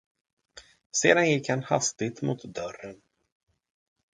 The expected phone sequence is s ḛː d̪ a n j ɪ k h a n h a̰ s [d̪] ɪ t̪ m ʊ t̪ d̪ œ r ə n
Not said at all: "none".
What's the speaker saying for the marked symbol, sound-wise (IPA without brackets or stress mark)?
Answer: t̪